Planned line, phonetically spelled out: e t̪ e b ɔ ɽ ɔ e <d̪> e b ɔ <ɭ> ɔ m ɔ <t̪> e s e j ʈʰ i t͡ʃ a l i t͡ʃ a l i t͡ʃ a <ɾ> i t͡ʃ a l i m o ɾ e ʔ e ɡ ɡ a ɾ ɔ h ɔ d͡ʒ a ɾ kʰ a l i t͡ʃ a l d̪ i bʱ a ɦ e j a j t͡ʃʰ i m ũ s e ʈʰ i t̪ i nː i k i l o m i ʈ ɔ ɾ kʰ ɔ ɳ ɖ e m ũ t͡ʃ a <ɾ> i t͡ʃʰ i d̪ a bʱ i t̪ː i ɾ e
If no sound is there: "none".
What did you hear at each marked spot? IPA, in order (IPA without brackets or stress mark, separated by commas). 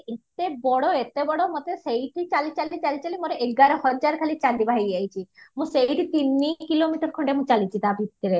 t̪, ɽ, t̪, l, l